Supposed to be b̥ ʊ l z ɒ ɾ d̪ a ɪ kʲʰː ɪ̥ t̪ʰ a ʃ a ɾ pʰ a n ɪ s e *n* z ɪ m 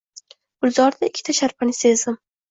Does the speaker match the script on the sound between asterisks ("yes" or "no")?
no